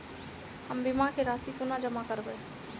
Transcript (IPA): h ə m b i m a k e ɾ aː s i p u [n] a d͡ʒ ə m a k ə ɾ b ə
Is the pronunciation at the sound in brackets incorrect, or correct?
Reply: correct